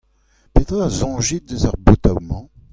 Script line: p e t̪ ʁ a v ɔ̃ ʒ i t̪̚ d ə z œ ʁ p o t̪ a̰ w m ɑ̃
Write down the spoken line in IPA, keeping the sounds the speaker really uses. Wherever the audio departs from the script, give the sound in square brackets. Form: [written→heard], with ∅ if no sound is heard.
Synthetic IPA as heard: p e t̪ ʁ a [v→z] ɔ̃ ʒ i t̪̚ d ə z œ ʁ [p→b] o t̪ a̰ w m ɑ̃